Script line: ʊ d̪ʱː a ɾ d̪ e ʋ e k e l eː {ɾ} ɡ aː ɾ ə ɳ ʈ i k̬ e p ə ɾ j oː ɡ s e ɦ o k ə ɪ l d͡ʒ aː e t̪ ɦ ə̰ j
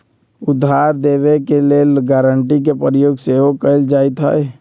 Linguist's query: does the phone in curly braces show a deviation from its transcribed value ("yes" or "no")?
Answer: yes